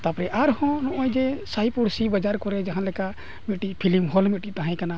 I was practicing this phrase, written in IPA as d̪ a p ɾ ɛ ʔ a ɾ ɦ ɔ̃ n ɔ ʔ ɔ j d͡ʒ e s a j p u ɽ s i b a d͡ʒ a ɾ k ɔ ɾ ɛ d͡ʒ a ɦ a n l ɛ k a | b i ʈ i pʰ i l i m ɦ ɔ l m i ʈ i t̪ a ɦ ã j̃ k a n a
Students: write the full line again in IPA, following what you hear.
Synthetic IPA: t̪ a p ɾ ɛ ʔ a ɾ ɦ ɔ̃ n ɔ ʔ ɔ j d͡ʒ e s a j p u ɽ s i b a d͡ʒ a ɾ k ɔ ɾ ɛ d͡ʒ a ɦ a n l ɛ k a | m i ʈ i pʰ i l i m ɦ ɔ l m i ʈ i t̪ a ɦ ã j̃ k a n a